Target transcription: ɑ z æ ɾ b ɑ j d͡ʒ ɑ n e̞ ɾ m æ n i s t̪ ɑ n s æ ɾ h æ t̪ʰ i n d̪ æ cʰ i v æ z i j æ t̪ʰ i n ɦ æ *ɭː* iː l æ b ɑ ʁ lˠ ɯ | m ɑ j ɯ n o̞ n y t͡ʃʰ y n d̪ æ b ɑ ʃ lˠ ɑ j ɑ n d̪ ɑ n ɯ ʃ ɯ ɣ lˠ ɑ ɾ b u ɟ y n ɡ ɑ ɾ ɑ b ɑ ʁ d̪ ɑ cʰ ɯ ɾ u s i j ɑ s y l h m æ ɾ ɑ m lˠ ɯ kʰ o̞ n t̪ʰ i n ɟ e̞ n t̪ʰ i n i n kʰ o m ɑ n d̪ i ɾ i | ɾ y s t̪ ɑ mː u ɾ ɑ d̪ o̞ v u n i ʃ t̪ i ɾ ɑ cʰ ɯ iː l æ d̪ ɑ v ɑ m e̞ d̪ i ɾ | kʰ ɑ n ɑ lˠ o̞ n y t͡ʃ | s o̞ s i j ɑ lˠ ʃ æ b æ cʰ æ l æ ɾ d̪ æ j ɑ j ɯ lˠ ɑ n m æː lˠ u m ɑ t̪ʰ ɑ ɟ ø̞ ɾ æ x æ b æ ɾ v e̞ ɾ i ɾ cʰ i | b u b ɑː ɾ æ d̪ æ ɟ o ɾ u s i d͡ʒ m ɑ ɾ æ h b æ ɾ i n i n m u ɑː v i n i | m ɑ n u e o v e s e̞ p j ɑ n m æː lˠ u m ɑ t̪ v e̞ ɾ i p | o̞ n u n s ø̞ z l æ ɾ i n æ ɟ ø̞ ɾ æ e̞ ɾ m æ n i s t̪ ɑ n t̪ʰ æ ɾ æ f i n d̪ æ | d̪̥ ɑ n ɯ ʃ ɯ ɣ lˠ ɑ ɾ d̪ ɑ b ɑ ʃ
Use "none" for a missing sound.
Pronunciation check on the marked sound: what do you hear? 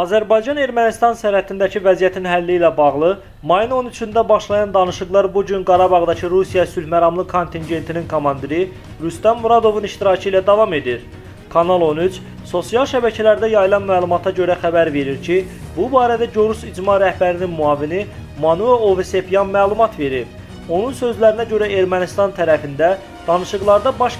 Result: lː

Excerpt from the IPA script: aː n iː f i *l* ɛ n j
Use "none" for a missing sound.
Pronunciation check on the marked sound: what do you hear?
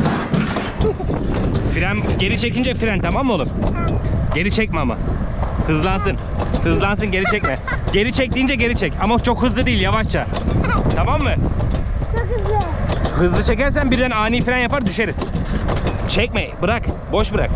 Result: ɾ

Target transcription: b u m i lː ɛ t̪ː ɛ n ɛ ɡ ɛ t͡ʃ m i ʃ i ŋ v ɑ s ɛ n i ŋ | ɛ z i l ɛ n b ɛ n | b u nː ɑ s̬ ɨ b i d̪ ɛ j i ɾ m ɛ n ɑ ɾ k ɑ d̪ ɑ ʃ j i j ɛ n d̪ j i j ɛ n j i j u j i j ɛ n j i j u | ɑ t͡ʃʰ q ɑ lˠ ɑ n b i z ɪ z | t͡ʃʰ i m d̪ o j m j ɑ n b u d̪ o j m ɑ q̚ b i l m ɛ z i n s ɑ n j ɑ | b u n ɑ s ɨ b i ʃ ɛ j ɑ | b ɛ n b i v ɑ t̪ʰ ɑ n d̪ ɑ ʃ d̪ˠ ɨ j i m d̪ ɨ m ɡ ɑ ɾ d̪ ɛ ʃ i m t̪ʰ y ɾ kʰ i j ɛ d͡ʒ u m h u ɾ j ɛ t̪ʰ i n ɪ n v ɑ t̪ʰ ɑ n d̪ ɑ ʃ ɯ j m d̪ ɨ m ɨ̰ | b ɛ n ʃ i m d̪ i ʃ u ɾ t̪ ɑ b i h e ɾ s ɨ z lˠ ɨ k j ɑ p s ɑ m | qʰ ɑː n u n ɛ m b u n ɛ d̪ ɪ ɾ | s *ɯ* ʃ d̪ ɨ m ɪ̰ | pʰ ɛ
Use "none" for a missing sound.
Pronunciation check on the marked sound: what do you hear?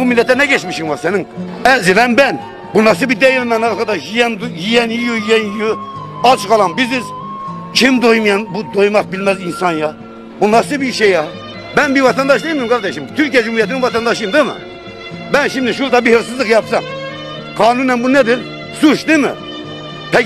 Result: u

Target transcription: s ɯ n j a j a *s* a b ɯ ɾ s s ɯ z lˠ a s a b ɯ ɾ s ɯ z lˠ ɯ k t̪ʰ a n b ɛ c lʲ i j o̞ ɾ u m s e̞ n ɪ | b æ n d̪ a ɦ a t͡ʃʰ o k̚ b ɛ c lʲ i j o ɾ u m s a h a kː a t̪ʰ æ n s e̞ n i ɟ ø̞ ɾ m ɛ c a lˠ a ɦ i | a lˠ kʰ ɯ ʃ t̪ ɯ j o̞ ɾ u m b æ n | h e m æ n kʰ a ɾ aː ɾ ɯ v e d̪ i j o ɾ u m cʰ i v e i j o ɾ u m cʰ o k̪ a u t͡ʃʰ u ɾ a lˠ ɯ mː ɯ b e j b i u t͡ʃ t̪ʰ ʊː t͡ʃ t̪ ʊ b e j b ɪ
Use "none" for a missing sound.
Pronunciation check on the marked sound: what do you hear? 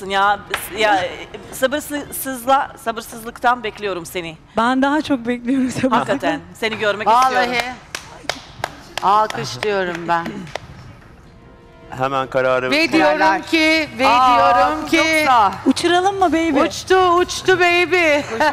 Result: s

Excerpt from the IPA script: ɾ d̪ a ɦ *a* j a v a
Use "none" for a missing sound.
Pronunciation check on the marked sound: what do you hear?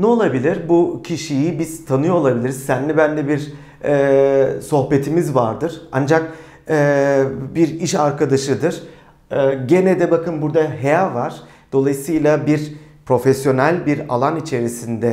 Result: e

